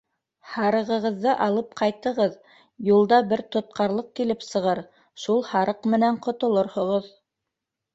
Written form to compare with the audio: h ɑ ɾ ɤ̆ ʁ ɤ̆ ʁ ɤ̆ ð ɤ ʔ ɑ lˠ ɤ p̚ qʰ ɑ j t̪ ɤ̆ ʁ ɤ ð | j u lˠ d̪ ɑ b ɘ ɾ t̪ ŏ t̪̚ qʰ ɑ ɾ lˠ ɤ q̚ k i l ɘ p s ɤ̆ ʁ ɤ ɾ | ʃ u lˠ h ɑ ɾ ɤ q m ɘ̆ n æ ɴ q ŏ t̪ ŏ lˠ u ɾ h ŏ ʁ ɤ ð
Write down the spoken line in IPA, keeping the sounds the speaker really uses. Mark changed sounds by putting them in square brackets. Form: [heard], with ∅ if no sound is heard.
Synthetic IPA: h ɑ ɾ ɤ̆ ʁ ɤ̆ ʁ ɤ̆ [ðː] ɤ ʔ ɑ lˠ ɤ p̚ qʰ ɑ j t̪ ɤ̆ ʁ ɤ ð | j u lˠ d̪ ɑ b ɘ ɾ t̪ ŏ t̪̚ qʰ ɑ ɾ lˠ ɤ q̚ k i l ɘ p s ɤ̆ ʁ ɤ ɾ | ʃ u lˠ h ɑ ɾ ɤ q m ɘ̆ n æ ɴ q ŏ t̪ ŏ lˠ [o] ɾ h ŏ ʁ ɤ ð